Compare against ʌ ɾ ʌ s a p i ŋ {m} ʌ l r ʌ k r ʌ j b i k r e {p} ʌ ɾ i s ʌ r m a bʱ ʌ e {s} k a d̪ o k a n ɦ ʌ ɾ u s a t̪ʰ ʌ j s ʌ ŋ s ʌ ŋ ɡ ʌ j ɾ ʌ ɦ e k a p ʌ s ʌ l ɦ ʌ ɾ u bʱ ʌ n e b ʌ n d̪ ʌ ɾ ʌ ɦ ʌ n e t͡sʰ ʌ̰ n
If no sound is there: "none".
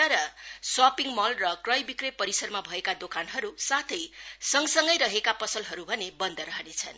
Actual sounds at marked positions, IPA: m, p, none

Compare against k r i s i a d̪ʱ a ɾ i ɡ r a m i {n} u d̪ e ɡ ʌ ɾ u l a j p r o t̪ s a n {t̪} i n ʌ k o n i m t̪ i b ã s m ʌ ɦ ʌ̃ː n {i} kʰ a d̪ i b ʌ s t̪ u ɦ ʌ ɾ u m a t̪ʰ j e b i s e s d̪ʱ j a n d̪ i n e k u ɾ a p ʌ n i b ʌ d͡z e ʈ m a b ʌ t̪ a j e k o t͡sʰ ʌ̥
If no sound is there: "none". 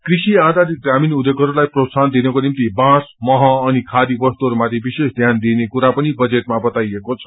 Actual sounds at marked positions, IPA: n, d̪, i

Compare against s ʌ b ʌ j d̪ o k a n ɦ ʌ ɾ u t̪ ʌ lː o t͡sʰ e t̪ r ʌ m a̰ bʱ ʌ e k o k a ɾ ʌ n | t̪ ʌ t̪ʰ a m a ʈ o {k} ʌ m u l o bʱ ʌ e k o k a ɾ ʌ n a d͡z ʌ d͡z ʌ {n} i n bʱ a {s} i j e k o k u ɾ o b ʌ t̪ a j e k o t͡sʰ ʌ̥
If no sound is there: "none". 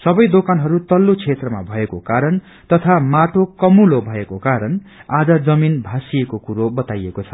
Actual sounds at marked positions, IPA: k, m, s

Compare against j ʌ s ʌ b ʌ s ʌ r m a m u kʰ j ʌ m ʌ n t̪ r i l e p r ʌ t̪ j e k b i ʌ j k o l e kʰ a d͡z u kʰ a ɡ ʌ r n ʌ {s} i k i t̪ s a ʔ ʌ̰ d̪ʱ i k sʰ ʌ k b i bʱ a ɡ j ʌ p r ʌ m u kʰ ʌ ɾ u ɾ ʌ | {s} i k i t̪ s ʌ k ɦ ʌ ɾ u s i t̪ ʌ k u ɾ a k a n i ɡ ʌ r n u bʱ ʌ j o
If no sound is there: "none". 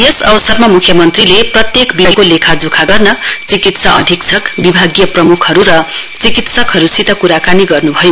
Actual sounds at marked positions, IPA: t͡s, t͡s

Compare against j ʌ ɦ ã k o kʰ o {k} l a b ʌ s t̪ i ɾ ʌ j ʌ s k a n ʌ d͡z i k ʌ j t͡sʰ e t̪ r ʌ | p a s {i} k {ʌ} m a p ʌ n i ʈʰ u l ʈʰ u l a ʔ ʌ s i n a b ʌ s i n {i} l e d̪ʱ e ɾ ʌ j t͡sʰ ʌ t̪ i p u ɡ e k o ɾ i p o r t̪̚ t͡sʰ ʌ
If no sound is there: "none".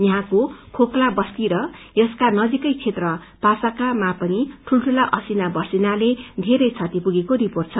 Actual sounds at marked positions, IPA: k, a, a, a

